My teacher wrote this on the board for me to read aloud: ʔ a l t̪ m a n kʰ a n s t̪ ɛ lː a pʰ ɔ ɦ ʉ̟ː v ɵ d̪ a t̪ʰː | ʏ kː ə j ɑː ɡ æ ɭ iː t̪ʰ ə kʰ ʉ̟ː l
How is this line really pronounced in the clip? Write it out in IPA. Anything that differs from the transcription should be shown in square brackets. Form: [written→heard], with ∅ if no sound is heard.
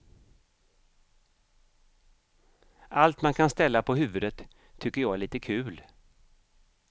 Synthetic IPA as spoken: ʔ a l t̪ m a n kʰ a n s t̪ ɛ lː a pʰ ɔ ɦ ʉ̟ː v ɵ d̪ [a→ə] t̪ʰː | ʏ kː ə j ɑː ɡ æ ɭ iː [t̪ʰ→t̪] ə kʰ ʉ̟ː l

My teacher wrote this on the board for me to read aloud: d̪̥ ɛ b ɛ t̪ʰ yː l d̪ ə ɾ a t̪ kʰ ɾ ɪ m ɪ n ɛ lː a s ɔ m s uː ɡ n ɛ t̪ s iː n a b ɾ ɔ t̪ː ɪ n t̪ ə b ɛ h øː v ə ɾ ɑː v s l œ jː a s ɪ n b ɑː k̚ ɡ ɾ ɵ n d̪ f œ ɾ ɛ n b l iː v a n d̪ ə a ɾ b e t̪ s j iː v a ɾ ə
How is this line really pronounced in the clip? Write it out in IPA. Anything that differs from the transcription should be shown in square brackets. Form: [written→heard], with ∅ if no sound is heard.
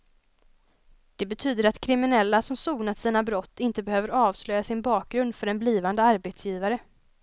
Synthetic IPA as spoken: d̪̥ ɛ b ɛ t̪ʰ yː [l→∅] d̪ ə ɾ a t̪ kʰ ɾ ɪ m ɪ n ɛ lː a s ɔ m s uː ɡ n [ɛ→a] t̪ s iː n a b ɾ ɔ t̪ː ɪ n t̪ ə b ɛ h øː v ə ɾ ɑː v s l œ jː a s ɪ n b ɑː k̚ ɡ ɾ ɵ n d̪ f œ ɾ ɛ n b l iː v a n d̪ ə a ɾ b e t̪ s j iː v a ɾ ə

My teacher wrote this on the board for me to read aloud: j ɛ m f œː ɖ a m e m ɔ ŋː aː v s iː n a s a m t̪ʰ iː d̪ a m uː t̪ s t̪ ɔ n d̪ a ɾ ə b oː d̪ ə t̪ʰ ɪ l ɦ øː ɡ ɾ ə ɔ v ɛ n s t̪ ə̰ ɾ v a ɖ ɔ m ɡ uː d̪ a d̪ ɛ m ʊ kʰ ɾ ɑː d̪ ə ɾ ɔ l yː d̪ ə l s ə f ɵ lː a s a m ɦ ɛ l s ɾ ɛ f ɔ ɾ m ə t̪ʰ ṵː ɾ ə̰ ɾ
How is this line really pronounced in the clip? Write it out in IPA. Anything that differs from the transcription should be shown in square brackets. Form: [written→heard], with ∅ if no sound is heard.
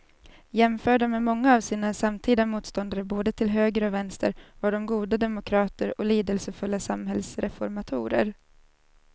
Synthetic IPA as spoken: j ɛ m f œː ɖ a m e m ɔ ŋː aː v s iː n a s a m t̪ʰ iː d̪ a m uː t̪ s t̪ ɔ n d̪ a ɾ ə b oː d̪ ə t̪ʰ ɪ l ɦ øː ɡ ɾ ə ɔ v ɛ n s t̪ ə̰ ɾ v a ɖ ɔ m ɡ uː d̪ a d̪ ɛ m ʊ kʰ ɾ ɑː [d̪→t̪] ə ɾ ɔ l [yː→iː] d̪ ə l s ə f ɵ lː a s a m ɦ ɛ l s ɾ ɛ f ɔ ɾ m [ə→a] t̪ʰ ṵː ɾ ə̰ ɾ

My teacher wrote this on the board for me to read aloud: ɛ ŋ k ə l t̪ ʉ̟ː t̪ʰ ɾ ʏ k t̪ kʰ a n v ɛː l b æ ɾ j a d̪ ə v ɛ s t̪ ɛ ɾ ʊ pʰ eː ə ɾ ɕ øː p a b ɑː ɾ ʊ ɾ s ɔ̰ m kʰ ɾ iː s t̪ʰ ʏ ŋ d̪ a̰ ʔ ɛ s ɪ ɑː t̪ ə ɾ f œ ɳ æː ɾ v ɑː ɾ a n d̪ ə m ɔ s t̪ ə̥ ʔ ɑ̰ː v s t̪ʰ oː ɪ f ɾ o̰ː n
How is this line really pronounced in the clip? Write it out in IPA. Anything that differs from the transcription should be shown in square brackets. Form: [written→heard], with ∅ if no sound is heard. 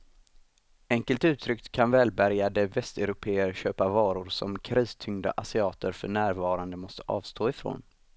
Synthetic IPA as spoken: ɛ ŋ k ə l t̪ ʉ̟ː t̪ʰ ɾ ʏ k t̪ kʰ a n v ɛː l b æ ɾ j a d̪ ə v ɛ s t̪ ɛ ɾ ʊ pʰ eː ə ɾ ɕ øː p a [b→v] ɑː ɾ ʊ ɾ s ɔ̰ m kʰ ɾ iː s t̪ʰ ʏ ŋ d̪ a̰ ʔ [ɛ→a] s ɪ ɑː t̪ ə ɾ f œ ɳ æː ɾ v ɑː ɾ a n d̪ ə m ɔ s t̪ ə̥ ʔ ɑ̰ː v s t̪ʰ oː ɪ f ɾ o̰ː n

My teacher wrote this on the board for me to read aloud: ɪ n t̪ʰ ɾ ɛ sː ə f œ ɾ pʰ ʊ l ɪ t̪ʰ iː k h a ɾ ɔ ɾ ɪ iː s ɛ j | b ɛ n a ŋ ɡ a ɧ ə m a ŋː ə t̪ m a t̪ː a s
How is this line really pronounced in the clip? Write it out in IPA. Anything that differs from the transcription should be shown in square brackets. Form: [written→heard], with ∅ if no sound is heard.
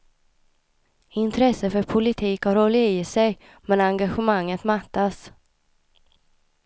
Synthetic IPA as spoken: ɪ n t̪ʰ ɾ ɛ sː ə f œ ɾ pʰ ʊ l ɪ t̪ʰ iː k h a ɾ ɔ [ɾ→l] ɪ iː s ɛ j | [b→m] ɛ n a ŋ ɡ a ɧ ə m a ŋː ə t̪ m a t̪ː a s

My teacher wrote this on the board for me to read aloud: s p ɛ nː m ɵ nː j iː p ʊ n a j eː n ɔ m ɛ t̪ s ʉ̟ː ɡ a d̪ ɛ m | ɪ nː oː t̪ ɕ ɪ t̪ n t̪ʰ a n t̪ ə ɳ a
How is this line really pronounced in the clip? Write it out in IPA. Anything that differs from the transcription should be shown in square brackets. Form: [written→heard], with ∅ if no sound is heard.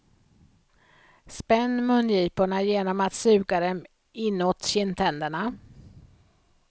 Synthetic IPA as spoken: s p ɛ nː m ɵ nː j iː p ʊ [n→ɳ] a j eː n ɔ m [ɛ→a] t̪ s ʉ̟ː ɡ a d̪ ɛ m | ɪ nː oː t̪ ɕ ɪ [t̪→∅] n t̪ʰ [a→ɛ] n [t̪→d̪] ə ɳ a

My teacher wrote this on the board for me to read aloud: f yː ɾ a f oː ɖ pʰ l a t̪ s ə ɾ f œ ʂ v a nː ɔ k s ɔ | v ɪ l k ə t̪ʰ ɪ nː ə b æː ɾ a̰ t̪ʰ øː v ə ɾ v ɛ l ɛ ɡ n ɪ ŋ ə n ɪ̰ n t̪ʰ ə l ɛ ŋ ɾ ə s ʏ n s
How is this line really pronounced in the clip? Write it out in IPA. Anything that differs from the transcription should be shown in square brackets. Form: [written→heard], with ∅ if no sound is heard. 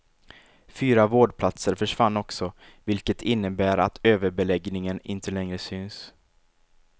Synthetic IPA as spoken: f yː ɾ a [f→v] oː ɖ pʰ l a t̪ s ə ɾ f œ ʂ v a nː ɔ k s ɔ | v ɪ l k ə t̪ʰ ɪ nː ə b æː ɾ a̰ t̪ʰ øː v ə ɾ [v→b] ɛ l ɛ ɡ n ɪ ŋ ə n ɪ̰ n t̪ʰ ə l ɛ ŋ ɾ ə s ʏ n s

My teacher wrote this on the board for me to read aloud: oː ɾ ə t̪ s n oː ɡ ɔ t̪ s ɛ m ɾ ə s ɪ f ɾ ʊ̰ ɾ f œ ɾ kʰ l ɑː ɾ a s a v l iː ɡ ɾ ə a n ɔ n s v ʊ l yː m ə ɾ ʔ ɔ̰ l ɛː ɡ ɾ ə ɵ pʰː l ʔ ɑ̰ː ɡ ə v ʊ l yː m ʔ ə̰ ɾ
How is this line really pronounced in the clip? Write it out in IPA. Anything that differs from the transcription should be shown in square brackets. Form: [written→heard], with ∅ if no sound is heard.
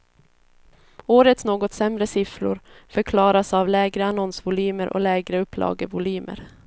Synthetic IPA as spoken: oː ɾ ə t̪ s n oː ɡ ɔ t̪ s ɛ m ɾ ə s ɪ f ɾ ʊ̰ ɾ f œ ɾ kʰ l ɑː ɾ a s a v l [iː→ɛː] ɡ ɾ ə a n ɔ n s v ʊ l yː m ə ɾ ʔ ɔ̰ l ɛː ɡ ɾ ə ɵ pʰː l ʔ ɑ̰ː ɡ ə v ʊ l yː m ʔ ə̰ ɾ

